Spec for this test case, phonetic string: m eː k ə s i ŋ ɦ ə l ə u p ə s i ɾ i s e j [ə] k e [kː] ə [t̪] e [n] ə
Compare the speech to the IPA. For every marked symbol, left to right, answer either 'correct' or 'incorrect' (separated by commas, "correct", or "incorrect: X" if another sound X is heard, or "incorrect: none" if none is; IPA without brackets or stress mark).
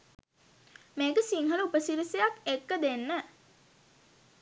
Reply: incorrect: a, correct, incorrect: d̪, incorrect: nː